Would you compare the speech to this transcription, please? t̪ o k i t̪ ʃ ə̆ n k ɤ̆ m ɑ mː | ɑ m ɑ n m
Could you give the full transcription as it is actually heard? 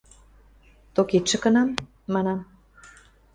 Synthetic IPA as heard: t̪ o k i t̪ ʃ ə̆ k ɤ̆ n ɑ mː | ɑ n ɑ m